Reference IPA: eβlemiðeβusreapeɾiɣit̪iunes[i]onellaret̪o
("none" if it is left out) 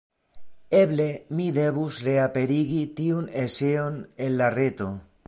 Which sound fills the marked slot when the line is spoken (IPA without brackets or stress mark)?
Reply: e